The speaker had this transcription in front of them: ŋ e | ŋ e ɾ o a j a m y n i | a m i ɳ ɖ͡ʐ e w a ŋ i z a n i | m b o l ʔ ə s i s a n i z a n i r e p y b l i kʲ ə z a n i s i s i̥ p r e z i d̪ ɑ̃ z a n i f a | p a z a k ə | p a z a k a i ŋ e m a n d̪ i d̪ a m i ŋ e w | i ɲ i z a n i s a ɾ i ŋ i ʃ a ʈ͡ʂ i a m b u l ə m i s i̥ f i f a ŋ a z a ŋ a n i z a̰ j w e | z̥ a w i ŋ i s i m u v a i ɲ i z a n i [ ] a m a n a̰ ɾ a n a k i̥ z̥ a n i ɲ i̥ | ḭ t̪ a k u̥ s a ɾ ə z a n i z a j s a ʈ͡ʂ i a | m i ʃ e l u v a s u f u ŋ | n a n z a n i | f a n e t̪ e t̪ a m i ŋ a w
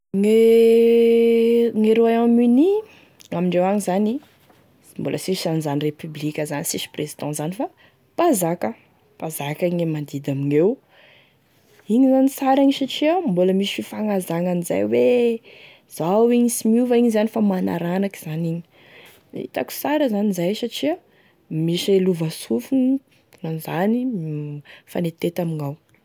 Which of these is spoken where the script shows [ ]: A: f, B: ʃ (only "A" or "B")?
A